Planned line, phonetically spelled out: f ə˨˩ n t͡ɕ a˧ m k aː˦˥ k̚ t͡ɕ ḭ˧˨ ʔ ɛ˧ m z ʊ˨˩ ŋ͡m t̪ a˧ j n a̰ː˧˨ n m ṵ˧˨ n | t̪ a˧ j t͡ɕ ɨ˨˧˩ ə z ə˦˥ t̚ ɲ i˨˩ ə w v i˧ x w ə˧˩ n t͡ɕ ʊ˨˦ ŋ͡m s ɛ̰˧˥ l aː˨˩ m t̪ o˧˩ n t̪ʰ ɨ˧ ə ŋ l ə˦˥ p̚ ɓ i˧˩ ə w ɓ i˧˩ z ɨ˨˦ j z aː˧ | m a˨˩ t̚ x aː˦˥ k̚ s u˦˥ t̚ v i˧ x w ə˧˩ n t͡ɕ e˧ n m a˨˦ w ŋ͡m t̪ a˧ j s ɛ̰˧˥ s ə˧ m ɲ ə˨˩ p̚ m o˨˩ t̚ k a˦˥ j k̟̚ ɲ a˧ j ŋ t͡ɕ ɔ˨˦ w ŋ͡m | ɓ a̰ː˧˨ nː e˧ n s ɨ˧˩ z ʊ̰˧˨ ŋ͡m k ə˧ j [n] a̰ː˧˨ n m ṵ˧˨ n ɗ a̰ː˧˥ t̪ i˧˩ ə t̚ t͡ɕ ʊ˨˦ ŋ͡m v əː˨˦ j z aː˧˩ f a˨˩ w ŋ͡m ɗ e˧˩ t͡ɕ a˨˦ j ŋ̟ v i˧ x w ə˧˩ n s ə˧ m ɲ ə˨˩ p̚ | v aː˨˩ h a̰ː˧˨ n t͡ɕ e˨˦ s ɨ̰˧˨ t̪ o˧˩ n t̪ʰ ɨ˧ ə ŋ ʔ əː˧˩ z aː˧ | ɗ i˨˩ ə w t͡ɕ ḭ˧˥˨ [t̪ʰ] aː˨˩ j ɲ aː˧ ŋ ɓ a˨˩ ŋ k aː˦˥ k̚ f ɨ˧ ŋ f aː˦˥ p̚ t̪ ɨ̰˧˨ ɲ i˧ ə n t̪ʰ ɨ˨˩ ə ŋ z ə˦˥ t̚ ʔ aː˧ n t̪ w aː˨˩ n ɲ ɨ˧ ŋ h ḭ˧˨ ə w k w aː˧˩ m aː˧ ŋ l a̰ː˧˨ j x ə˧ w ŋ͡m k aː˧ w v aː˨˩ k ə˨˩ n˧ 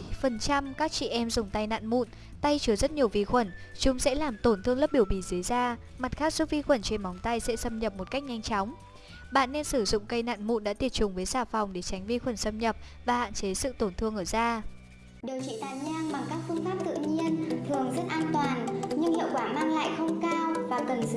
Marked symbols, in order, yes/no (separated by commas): yes, no